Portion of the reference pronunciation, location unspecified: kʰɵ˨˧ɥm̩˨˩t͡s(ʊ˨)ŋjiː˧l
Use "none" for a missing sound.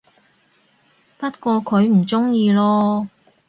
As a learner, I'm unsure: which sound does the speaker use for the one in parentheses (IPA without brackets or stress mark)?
ʊ˥